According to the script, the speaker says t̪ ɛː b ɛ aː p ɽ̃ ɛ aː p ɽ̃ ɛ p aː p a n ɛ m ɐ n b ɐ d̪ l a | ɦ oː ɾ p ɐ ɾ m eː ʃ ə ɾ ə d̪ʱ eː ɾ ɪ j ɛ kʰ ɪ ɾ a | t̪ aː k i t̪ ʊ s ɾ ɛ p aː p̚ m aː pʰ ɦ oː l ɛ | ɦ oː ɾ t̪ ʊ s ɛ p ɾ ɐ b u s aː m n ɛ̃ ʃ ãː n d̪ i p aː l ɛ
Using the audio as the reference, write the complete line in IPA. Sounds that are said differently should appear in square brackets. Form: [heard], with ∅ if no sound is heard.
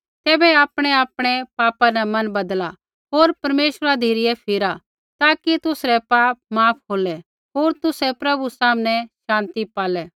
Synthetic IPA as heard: t̪ ɛː b ɛ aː p ɽ̃ ɛ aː p ɽ̃ ɛ p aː p a n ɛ m ɐ n b ɐ d̪ l a | ɦ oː ɾ p ɐ ɾ m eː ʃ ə ɾ [a] d̪ʱ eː ɾ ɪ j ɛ [pʰ] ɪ ɾ a | t̪ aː k i t̪ ʊ s ɾ ɛ p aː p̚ m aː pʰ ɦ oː l ɛ | ɦ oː ɾ t̪ ʊ s ɛ p ɾ ɐ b u s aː m n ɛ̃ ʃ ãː n [t̪] i p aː l ɛ